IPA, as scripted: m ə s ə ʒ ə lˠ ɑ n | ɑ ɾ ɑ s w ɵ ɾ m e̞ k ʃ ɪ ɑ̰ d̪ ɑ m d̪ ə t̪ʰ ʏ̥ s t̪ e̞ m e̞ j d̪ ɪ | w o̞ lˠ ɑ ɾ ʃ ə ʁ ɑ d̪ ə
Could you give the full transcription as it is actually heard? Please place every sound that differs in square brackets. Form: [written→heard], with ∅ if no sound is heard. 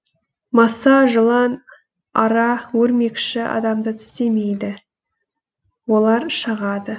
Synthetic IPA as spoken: m [ə→ɑ] s [ə→ɑ] ʒ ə lˠ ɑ n | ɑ ɾ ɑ [s→∅] w ɵ ɾ m e̞ k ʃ ɪ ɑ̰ d̪ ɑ m d̪ ə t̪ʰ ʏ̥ s t̪ e̞ m e̞ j d̪ ɪ | w o̞ lˠ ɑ ɾ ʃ ə ʁ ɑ d̪ ə